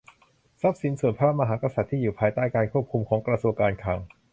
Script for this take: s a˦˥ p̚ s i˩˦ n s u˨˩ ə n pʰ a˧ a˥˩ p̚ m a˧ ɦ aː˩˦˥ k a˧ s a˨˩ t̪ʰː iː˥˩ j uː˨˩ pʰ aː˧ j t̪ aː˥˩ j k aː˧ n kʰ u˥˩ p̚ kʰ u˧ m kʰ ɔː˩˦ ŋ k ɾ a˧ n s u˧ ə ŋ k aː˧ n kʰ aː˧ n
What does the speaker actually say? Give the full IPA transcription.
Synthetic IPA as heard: s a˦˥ p̚ s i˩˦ n s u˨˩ ə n pʰ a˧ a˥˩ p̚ m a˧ ɦ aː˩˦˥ k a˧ s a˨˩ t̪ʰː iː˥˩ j uː˨˩ pʰ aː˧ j t̪ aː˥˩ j k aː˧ n kʰ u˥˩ p̚ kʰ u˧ m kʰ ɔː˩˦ ŋ k ɾ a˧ s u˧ ə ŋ k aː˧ n kʰ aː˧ ŋ